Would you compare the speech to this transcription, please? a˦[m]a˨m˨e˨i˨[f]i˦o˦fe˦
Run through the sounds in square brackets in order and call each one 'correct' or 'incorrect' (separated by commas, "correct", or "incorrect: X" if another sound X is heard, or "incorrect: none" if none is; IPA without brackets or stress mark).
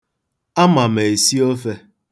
correct, incorrect: s